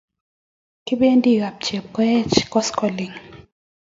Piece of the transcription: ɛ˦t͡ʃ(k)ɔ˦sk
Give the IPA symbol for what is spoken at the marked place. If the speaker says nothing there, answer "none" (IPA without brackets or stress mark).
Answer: k